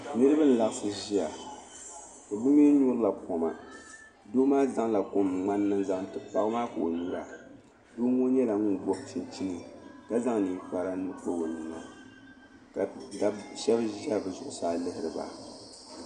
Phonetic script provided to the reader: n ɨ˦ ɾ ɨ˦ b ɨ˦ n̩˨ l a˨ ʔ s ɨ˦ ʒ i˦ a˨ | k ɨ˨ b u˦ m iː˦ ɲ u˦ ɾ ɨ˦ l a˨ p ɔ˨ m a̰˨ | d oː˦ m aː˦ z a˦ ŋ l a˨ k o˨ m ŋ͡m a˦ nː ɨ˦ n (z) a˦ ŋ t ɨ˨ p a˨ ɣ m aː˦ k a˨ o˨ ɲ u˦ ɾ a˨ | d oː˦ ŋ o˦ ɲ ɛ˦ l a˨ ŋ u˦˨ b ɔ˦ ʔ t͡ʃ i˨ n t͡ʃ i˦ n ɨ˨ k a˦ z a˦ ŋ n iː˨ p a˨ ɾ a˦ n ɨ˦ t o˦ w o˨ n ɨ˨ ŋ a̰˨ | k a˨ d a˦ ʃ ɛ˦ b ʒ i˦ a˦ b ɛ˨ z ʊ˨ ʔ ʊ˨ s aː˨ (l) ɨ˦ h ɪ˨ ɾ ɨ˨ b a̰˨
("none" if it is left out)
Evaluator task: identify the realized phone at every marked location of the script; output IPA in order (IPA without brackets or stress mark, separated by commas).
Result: z, l